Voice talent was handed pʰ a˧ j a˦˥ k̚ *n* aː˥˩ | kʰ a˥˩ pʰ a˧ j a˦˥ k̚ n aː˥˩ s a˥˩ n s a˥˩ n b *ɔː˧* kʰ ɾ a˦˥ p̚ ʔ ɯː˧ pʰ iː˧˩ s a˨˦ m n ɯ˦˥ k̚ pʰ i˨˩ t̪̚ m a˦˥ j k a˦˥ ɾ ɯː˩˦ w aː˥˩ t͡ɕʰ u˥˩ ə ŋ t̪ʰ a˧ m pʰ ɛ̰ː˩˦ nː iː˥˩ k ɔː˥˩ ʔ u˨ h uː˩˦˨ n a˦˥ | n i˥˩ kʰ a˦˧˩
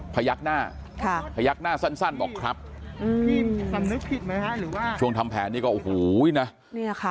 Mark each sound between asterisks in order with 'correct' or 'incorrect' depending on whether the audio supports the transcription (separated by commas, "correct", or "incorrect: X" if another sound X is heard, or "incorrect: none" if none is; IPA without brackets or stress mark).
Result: correct, incorrect: ɔː˨˩